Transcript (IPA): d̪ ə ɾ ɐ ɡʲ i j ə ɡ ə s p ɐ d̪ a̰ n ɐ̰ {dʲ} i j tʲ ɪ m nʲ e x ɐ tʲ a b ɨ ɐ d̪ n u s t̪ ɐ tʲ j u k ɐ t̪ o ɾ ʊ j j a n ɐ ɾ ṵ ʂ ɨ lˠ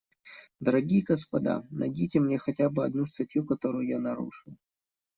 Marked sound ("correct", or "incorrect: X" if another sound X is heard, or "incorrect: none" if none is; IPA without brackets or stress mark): correct